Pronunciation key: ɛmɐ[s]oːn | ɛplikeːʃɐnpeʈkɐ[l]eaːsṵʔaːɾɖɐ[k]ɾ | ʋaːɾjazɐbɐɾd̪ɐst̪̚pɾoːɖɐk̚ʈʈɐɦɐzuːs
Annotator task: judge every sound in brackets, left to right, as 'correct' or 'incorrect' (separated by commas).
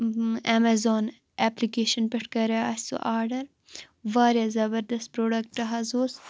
incorrect, incorrect, incorrect